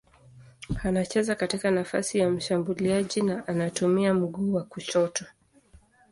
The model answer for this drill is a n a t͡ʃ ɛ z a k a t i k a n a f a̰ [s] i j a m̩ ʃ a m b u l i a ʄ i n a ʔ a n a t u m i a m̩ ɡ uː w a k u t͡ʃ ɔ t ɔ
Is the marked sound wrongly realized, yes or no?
no